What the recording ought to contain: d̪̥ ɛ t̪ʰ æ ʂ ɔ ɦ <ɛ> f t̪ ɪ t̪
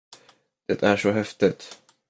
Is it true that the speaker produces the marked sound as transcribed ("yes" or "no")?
yes